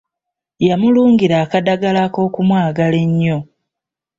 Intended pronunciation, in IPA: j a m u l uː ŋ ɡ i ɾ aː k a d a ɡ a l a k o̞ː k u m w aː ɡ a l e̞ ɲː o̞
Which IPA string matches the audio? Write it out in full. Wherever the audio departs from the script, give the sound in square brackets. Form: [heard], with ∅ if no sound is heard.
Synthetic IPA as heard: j a m u l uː ŋ ɡ i ɾ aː k a d a ɡ a l a k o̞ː k u m w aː ɡ a l e̞ ɲː o̞